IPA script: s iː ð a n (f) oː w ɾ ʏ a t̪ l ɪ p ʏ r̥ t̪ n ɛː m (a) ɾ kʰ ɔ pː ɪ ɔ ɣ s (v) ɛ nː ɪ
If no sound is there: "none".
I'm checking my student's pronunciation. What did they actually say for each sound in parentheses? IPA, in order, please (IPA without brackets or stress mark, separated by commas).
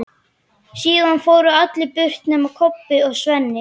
f, a, v